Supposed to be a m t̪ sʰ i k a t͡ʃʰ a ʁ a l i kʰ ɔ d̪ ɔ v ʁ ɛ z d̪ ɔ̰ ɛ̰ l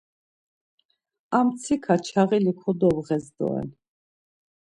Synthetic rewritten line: a m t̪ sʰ i kʰ a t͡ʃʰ a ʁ i l i kʰ ɔ d̪ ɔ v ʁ ɛ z d̪ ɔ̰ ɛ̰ l